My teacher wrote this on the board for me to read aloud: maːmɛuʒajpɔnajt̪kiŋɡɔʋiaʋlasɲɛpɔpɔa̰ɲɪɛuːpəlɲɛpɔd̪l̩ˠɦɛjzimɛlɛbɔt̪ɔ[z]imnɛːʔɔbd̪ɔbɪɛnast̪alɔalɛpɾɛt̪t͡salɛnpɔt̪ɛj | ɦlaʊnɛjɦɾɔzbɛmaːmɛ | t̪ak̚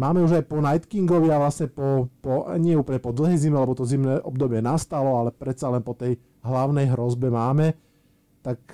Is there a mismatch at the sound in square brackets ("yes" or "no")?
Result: no